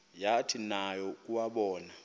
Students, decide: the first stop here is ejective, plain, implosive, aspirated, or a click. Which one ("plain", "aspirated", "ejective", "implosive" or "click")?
aspirated